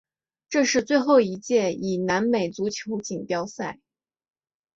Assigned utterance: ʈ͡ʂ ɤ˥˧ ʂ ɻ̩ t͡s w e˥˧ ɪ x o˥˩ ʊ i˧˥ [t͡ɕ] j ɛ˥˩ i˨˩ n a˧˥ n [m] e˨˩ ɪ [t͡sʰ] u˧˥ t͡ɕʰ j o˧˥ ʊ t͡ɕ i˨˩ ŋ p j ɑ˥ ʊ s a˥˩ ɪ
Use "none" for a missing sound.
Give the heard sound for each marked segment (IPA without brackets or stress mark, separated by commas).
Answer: t͡ɕ, m, t͡s